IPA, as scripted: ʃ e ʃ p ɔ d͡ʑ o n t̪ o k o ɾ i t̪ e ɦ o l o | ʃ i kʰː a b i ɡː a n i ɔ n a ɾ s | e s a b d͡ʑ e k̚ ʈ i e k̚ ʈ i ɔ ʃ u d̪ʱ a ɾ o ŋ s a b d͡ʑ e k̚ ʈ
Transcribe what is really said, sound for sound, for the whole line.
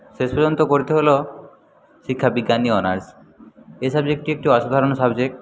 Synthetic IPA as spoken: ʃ e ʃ p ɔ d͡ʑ o n t̪ o k o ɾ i t̪ e ɦ o l o | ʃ i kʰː a b i ɡː a n i ɔ n a ɾ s | e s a b d͡ʑ e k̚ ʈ i e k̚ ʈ i ɔ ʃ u d̪ʱ a ɾ o n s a b d͡ʑ e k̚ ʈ